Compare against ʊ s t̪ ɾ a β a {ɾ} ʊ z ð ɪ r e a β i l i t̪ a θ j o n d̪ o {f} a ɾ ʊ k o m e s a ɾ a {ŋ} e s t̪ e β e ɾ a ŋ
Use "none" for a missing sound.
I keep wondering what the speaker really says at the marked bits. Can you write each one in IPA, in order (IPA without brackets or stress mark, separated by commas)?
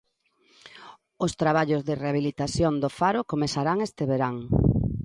ʎ, f, ŋ